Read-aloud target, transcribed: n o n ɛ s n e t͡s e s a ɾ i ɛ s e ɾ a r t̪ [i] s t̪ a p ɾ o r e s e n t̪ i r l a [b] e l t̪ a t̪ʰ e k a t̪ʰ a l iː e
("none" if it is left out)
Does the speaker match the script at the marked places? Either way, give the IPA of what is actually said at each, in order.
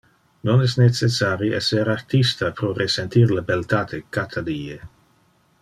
i, b

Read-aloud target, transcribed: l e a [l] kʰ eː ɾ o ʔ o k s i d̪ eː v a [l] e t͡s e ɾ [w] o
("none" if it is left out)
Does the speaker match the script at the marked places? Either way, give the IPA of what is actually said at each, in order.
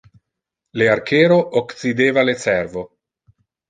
ɾ, l, v

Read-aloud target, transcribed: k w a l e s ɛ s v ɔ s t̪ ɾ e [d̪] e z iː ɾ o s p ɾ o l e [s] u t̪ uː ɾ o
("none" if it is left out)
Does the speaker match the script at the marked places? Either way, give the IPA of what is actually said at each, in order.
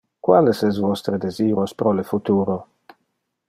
d̪, f

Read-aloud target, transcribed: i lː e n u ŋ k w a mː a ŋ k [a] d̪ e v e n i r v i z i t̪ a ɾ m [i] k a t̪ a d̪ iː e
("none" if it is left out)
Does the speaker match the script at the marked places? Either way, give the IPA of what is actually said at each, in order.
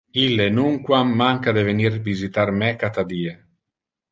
a, ɛ

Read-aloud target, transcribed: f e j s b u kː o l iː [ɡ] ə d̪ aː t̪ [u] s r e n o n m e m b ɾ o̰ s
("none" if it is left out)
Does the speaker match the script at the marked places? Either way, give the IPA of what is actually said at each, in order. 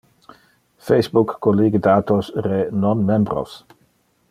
ɡ, o

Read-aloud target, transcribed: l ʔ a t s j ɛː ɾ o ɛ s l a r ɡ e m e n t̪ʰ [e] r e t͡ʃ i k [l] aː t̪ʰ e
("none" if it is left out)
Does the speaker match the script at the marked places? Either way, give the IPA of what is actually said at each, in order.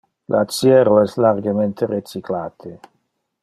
e, l

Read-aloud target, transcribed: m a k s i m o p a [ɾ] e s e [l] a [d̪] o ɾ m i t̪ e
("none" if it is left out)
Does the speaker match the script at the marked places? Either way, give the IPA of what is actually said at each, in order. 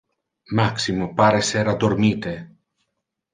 ɾ, ɾ, d̪

